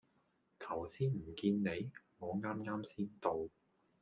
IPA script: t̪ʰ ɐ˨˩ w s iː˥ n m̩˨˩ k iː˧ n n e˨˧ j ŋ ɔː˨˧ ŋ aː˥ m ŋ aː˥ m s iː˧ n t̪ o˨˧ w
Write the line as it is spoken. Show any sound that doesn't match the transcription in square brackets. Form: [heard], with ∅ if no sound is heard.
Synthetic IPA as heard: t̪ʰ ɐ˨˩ w s iː˥ n m̩˨˩ k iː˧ n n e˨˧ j ŋ ɔː˨˧ ŋ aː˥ m ŋ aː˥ m s [iː˥] n t̪ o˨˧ w